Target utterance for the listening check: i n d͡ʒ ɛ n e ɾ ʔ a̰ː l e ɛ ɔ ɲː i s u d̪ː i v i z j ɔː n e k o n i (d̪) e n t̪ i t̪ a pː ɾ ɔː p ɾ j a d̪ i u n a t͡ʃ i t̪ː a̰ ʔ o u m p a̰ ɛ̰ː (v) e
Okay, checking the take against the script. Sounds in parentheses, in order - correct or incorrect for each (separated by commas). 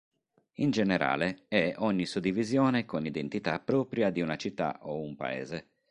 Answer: correct, incorrect